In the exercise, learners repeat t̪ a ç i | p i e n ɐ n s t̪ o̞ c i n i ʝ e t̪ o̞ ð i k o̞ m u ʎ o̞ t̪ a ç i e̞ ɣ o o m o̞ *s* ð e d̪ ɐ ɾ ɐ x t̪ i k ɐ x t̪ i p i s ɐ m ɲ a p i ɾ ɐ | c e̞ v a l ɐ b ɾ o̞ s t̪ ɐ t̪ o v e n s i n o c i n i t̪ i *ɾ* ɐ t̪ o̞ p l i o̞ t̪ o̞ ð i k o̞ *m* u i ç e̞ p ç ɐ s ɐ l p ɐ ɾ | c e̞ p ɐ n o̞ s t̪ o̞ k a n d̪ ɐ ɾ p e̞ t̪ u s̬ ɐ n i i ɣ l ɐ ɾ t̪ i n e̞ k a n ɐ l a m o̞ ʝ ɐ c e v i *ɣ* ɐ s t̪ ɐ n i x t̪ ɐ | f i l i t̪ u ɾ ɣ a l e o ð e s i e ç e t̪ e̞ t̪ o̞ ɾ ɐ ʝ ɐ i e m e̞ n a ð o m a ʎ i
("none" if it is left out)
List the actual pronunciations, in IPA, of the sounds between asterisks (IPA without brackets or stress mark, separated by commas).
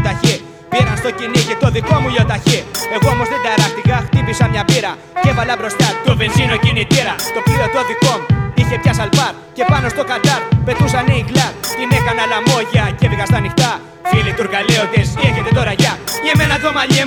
z, ɾ, m, ɣ